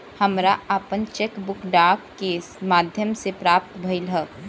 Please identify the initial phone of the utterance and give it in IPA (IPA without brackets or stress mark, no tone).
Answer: h